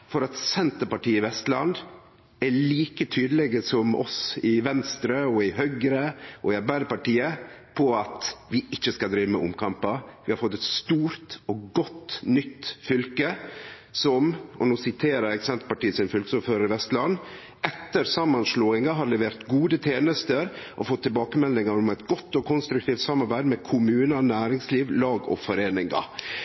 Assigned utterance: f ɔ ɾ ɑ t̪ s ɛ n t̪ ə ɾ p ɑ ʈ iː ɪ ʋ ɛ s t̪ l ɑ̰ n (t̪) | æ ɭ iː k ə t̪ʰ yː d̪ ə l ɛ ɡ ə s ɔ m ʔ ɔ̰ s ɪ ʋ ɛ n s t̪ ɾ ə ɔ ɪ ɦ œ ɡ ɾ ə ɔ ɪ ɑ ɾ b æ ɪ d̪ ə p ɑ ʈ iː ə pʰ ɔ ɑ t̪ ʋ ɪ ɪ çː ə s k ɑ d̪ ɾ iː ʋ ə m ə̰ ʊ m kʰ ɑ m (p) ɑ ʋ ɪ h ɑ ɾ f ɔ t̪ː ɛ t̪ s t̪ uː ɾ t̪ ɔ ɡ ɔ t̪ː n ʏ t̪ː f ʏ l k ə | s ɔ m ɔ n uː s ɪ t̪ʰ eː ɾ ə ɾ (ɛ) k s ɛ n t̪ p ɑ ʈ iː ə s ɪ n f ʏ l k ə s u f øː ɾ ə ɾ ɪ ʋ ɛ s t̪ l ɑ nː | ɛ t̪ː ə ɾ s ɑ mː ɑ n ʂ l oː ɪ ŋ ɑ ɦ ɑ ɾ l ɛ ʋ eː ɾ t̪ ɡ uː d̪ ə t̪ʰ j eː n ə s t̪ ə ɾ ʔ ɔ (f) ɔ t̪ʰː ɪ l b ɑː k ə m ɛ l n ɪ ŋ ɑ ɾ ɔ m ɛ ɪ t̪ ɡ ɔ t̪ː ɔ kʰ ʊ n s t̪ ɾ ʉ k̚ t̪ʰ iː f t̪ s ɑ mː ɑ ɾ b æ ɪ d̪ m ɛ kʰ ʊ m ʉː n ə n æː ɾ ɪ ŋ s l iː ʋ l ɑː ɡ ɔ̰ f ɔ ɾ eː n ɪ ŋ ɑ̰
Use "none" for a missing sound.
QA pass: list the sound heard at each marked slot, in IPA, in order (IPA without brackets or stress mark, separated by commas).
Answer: d̪, p, ɛ, f